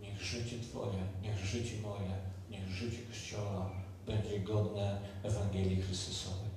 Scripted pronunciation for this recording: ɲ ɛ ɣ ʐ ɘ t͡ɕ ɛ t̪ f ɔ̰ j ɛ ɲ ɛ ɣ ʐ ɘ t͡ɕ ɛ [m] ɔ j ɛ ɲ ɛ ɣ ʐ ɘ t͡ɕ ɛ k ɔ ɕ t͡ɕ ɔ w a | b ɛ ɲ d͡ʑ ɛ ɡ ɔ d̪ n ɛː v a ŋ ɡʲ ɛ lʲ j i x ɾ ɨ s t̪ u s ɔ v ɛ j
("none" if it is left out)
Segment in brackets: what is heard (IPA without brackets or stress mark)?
m